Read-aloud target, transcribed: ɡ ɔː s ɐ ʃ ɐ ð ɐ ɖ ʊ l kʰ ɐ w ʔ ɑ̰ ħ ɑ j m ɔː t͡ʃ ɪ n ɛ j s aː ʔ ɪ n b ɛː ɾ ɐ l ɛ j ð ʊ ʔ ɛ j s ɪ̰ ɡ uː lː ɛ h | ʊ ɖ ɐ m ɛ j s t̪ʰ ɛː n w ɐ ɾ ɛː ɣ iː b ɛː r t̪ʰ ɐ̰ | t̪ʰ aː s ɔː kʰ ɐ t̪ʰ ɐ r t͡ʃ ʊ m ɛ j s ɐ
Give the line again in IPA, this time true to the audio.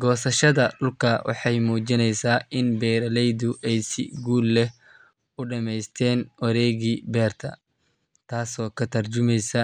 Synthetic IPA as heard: ɡ ɔː s ɐ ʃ ɐ ð ɐ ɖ ʊ l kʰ ɐ w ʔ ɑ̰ ħ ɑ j m uː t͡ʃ ɪ n ɛ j s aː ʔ ɪ n b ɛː ɾ ɐ l ɛ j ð ʊ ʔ ɛ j s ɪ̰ ɡ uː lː ɛ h | ʊ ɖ ɐ m ɛ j s t̪ʰ ɛː n w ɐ ɾ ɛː ɣ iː b ɛː r t̪ʰ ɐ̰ | t̪ʰ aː s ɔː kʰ ɐ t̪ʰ ɐ r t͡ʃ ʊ m ɛ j s ɐ

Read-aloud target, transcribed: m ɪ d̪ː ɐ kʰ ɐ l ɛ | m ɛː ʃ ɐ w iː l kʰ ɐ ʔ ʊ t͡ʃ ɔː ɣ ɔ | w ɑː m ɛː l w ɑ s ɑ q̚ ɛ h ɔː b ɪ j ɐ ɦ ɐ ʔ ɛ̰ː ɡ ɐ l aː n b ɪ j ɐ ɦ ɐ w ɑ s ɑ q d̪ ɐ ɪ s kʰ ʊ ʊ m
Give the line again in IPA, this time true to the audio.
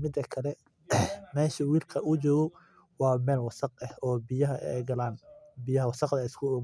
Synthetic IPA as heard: m ɪ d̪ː ɐ kʰ ɐ l ɛ | m ɛː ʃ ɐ w iː l kʰ ɐ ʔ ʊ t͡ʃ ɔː ɣ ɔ | w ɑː m ɛː l w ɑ s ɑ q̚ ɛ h ɔː b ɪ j ɐ ɦ ɐ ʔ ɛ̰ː ɡ ɐ l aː n b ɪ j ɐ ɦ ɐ w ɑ s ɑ q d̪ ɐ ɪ s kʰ ʊ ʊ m

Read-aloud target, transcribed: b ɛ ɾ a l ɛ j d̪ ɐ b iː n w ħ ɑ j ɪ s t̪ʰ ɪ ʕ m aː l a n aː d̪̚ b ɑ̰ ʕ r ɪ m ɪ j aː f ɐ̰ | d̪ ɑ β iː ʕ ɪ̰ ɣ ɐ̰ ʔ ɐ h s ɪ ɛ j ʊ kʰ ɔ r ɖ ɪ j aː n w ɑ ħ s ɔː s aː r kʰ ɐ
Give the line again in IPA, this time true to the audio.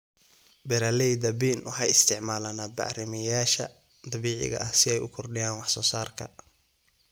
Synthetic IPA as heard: b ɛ ɾ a l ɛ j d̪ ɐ b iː n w ħ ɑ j ɪ s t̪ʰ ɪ ʕ m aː l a n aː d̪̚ b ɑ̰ ʕ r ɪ m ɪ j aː ʃ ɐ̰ | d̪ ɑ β iː ʕ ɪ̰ ɣ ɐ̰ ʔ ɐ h s ɪ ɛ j ʊ kʰ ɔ r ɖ ɪ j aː n w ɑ ħ s ɔː s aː r kʰ ɐ

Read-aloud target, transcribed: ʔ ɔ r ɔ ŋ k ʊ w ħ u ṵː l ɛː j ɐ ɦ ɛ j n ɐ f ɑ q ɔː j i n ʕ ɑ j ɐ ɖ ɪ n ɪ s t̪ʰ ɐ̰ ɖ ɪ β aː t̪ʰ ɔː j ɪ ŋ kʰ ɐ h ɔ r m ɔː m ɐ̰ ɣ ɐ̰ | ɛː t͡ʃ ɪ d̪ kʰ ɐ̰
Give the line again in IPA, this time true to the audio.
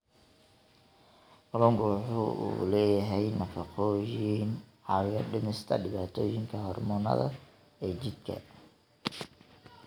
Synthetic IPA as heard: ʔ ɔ l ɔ ŋ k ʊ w ħ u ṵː l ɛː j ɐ ɦ ɛ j n ɐ f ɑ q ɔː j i n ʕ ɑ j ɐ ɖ ɪ n ɪ s t̪ʰ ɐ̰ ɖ ɪ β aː t̪ʰ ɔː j ɪ ŋ kʰ ɐ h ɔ r m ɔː n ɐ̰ ð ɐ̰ | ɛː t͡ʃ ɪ d̪ kʰ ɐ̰

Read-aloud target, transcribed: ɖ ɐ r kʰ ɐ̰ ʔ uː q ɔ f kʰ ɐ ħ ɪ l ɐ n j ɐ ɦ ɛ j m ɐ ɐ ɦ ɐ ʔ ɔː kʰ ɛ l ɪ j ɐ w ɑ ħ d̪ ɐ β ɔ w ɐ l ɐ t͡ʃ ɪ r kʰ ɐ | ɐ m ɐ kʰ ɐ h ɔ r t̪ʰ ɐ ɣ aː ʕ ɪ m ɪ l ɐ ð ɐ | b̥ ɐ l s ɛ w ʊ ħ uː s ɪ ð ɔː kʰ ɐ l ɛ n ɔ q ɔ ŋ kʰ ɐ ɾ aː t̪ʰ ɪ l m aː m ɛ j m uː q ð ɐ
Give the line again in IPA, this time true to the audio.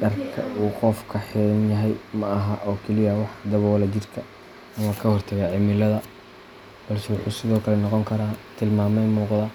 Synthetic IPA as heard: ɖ ɐ r kʰ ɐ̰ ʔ uː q ɔ f kʰ ɐ ħ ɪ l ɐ n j ɐ ɦ ɛ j m ɐ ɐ ɦ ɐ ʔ ɔː kʰ ɛ l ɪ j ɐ w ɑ ħ d̪ ɐ β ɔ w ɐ l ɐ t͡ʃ ɪ r kʰ ɐ | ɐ m ɐ kʰ ɐ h ɔ r t̪ʰ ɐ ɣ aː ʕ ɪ m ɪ l ɐ ð ɐ | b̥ ɐ l s ɛ w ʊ ħ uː s ɪ ð ɔː kʰ ɐ l ɛ n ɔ q ɔ ŋ kʰ ɐ ɾ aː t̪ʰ ɪ l m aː m ɛ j m uː q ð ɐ

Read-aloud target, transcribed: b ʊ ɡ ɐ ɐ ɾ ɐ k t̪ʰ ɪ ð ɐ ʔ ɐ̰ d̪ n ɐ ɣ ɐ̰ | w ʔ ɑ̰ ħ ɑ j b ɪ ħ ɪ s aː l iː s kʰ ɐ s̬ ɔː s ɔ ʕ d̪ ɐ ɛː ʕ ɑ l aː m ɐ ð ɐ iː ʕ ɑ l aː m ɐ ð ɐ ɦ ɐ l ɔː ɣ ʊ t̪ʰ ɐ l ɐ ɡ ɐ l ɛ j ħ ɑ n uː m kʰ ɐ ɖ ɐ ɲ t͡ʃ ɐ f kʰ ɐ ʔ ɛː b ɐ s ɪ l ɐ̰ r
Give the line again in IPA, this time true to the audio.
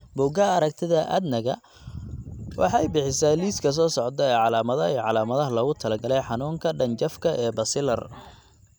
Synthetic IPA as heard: b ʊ ɡ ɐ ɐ ɾ ɐ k t̪ʰ ɪ ð ɐ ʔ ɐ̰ d̪ n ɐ ɣ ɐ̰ | w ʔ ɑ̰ ħ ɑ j b ɪ ħ ɪ s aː l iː s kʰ ɐ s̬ ɔː s ɔ ʕ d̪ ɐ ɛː ʕ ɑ l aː m ɐ ð ɐ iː ʕ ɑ l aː m ɐ ð ɐ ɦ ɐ l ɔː ɣ ʊ t̪ʰ ɐ l ɐ ɡ ɐ l ɛ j ħ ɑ n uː ŋ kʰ ɐ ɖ ɐ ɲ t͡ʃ ɐ f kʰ ɐ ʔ ɛː b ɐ s ɪ l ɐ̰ r

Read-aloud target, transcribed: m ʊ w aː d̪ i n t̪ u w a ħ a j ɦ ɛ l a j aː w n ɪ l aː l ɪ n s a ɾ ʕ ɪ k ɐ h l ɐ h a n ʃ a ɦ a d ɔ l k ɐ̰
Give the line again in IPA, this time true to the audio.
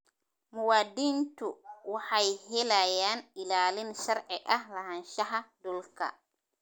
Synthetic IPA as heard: m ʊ w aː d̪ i n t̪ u w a ħ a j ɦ ɛ l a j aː n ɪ l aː l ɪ n ʃ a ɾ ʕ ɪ ʔ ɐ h l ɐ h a n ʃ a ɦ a d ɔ l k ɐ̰

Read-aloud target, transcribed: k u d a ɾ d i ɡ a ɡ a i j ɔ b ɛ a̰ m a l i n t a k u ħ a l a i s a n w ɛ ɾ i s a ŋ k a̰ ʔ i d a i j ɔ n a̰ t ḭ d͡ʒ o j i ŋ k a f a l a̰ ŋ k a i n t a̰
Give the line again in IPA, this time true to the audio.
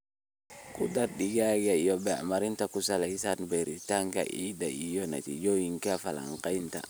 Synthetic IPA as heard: k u d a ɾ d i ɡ a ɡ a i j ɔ b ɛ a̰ m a ɾ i n t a k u s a l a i s a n b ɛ ɾ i t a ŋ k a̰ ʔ i d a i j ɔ n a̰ t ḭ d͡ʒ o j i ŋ k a f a l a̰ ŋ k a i n t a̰

